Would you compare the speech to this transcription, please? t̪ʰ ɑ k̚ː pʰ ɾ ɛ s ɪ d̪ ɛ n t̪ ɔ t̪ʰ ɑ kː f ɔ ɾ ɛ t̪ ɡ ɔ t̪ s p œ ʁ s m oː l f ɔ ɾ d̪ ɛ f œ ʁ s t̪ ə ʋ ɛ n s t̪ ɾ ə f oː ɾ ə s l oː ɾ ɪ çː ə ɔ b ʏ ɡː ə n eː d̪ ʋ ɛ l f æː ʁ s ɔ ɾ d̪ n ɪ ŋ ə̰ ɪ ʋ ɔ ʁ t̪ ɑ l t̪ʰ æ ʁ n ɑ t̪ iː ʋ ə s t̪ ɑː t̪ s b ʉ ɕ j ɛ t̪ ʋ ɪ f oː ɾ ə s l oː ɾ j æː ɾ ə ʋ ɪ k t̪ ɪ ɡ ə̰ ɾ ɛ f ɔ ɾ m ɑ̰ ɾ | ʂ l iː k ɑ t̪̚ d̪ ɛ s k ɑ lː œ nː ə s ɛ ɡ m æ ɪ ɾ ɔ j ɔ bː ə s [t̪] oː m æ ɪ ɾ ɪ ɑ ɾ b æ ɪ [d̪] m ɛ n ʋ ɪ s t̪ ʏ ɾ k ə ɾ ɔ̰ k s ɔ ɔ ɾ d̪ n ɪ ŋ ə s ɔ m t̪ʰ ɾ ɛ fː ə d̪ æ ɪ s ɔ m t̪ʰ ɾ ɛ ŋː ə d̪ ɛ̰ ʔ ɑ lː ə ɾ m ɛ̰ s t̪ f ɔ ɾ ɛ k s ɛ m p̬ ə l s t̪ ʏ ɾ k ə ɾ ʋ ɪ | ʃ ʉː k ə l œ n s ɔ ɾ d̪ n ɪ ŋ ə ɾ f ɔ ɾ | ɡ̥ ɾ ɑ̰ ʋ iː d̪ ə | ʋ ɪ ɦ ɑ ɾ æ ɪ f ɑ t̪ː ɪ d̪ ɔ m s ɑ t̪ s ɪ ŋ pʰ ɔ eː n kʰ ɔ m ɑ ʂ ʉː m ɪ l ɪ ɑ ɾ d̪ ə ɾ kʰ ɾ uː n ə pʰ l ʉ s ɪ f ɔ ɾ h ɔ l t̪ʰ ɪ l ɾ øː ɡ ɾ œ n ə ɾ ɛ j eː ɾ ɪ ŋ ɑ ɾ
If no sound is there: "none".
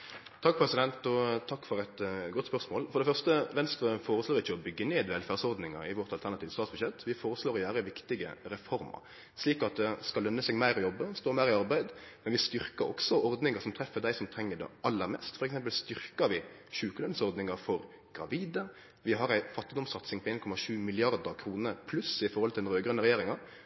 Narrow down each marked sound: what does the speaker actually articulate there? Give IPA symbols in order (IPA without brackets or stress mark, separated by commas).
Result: t̪, d̪